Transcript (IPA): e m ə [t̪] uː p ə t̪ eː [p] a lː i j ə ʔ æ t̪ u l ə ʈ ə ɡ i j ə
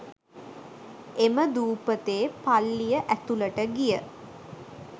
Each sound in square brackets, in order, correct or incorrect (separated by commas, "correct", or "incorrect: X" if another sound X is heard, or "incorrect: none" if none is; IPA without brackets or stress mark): incorrect: d̪, correct